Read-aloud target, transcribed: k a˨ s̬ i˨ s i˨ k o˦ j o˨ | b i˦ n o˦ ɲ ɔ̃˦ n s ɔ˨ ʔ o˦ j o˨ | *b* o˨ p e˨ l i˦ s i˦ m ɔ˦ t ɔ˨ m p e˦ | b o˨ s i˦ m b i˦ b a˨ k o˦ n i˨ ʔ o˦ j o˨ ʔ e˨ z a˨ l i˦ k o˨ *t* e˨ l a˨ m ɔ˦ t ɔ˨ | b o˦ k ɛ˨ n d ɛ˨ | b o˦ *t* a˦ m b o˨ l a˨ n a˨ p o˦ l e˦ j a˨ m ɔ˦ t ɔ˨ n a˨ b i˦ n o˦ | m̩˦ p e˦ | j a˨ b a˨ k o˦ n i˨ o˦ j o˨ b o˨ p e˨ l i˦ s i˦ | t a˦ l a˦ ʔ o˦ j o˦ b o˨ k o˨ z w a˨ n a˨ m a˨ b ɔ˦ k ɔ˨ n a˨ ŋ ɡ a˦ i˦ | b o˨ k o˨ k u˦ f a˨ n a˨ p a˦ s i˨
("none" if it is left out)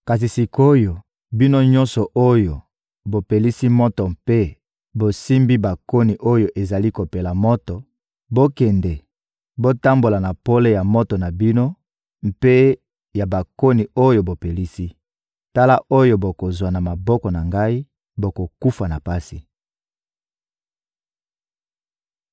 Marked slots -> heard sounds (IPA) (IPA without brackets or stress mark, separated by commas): b, p, t